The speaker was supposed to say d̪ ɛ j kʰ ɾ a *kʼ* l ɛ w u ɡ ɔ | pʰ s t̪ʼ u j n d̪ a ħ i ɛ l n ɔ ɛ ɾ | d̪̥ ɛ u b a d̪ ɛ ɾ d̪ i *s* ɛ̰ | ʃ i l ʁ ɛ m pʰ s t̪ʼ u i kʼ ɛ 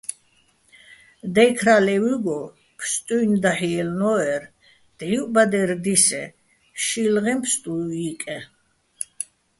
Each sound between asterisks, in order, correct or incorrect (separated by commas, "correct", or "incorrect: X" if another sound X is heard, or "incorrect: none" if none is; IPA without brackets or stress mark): incorrect: none, correct